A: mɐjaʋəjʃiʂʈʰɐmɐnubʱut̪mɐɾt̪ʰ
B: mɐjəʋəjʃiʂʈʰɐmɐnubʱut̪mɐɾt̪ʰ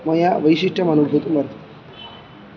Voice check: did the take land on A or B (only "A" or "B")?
A